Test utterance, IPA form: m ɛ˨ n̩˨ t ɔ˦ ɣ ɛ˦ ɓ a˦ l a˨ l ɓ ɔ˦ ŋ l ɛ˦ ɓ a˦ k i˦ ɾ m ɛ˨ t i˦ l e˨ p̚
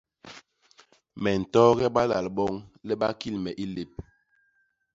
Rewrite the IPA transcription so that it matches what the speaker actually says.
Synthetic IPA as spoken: m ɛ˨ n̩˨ t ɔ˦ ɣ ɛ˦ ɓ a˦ l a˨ l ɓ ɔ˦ ŋ l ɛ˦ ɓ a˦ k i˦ l m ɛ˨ ʔ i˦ l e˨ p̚